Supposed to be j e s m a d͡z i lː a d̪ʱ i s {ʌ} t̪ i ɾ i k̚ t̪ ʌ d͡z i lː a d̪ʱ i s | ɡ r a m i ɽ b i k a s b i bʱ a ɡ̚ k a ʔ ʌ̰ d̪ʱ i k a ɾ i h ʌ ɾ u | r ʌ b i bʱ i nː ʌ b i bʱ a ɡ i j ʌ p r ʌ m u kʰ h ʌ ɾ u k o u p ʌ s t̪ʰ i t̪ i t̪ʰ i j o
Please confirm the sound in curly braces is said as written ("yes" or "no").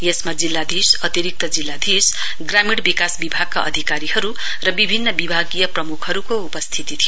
yes